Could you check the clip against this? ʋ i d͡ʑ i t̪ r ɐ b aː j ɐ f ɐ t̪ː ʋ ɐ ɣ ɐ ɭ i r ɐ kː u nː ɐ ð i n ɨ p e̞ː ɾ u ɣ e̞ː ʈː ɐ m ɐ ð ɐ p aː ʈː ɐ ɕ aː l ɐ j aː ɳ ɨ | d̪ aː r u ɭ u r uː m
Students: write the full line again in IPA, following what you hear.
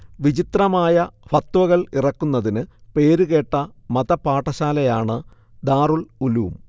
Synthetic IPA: ʋ i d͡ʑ i t̪ r ɐ m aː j ɐ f ɐ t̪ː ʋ ɐ ɣ ɐ ɭ i r ɐ kː u nː ɐ ð i n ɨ p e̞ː ɾ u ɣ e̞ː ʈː ɐ m ɐ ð ɐ p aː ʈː ɐ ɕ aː l ɐ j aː ɳ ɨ | d̪ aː r u ɭ u l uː m